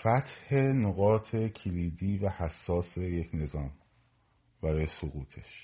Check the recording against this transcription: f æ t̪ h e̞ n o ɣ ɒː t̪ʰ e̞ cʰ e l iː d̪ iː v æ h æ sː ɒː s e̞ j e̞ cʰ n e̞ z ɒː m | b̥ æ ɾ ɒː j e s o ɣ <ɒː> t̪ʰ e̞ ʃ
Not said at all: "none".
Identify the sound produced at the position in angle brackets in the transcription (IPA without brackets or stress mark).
uː